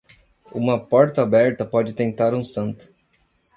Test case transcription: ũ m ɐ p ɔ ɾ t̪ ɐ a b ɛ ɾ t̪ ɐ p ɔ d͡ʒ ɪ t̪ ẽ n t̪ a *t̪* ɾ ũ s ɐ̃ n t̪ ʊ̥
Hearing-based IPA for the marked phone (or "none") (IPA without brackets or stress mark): none